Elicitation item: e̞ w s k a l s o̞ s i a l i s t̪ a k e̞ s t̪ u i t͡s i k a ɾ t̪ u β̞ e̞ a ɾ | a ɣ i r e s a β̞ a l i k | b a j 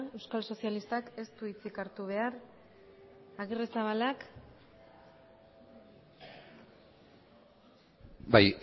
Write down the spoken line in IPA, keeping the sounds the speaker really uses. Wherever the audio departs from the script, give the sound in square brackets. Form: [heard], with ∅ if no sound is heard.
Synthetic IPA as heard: e̞ w s k a l s o̞ s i a l i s t̪ a k e̞ s t̪ u i t͡s i k a ɾ t̪ u β̞ e̞ a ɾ | a ɣ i r e s a β̞ a l [a] k | b a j